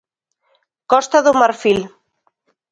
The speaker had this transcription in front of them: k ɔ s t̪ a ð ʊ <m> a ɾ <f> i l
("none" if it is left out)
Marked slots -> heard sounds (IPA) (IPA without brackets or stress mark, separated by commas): m, f